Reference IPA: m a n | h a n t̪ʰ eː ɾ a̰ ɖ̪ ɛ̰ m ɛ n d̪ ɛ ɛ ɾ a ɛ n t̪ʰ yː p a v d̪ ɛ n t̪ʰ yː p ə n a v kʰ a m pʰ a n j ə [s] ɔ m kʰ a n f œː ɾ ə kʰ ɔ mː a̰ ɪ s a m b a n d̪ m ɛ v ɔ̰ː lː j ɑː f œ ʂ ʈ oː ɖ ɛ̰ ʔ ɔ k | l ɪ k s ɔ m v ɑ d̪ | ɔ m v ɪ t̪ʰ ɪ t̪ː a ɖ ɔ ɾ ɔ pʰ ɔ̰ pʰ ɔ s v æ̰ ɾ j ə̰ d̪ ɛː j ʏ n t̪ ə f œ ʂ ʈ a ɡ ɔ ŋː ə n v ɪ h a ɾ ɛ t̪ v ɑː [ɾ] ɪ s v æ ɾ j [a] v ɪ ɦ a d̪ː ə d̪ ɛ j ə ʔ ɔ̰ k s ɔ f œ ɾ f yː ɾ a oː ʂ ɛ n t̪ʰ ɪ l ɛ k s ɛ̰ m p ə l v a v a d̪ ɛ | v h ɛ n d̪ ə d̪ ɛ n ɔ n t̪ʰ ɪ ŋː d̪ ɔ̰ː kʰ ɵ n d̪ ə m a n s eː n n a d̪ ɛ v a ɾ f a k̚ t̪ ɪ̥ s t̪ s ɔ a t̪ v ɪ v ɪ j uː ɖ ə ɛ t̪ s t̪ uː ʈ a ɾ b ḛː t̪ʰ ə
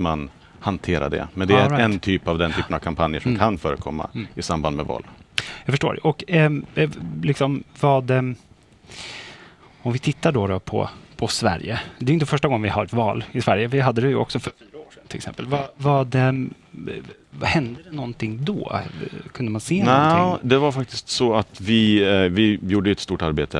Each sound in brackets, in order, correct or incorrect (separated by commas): incorrect, incorrect, incorrect